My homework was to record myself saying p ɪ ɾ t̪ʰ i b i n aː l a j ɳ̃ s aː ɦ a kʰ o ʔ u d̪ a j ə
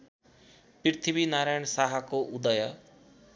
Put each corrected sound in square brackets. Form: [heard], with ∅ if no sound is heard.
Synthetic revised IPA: p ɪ ɾ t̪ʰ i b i n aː [ɾ] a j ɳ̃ s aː ɦ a [k] o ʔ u d̪ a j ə

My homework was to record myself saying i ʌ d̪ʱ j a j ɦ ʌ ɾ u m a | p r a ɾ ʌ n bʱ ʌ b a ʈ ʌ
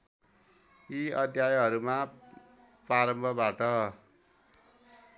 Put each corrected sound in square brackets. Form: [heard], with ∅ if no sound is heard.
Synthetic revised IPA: i ʌ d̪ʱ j a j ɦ ʌ ɾ u m a | p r a ɾ ʌ [m] bʱ ʌ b a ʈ ʌ

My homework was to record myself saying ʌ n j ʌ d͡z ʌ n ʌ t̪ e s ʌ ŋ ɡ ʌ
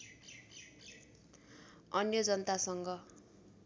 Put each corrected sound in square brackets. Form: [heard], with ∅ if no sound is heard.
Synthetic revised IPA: ʌ n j ʌ d͡z ʌ n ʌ t̪ [a] s ʌ ŋ ɡ ʌ

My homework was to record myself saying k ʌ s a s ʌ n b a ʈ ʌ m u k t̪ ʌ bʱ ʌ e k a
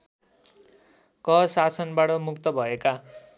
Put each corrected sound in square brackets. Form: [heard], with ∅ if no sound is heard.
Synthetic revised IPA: k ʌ s a s ʌ n b a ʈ ʌ m u k t̪ ʌ bʱ ʌ e k a

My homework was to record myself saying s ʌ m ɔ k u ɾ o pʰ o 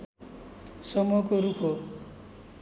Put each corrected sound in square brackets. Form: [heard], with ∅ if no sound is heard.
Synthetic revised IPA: s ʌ m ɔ k [o] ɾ [u] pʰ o

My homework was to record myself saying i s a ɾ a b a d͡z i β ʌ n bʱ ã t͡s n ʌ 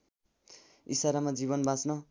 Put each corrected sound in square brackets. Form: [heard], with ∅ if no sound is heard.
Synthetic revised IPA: i s a ɾ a [m] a d͡z i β ʌ n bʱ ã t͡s n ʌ

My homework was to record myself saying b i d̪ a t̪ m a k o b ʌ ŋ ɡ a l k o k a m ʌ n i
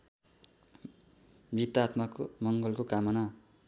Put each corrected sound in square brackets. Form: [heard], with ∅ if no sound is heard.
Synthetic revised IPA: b i [t̪] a t̪ m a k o [m] ʌ ŋ ɡ [ʌ] l k o k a m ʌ n [a]

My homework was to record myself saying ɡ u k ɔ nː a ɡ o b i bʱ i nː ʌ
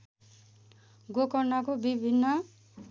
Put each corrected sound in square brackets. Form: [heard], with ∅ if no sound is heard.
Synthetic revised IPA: ɡ [o] k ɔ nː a [k] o b i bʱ i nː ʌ

